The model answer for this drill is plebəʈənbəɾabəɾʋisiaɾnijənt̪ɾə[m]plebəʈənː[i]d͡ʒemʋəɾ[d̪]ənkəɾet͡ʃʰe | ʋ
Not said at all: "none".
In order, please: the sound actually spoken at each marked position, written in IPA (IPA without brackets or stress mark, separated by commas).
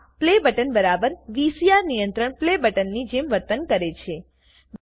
ɳ, i, t̪